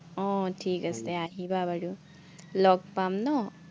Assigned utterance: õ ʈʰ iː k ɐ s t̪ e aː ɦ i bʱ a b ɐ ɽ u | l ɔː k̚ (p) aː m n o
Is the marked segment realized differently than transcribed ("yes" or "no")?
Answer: no